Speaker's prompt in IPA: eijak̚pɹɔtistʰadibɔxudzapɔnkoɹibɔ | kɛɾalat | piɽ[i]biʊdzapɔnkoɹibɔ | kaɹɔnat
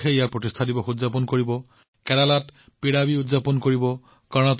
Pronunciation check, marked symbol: incorrect: a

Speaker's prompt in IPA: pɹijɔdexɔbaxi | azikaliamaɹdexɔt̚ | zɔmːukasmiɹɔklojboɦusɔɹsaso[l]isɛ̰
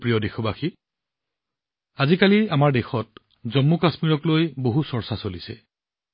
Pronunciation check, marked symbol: correct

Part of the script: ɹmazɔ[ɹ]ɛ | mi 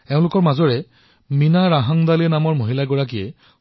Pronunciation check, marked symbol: correct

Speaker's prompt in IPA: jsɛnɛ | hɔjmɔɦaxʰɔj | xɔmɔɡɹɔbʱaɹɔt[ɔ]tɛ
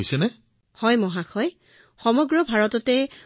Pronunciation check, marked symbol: correct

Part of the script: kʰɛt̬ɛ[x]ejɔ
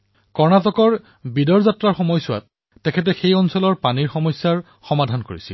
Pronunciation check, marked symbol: correct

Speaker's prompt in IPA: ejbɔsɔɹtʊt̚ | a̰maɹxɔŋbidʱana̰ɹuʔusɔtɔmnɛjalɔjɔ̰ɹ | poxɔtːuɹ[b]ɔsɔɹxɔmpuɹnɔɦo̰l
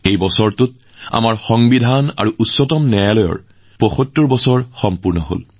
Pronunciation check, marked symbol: correct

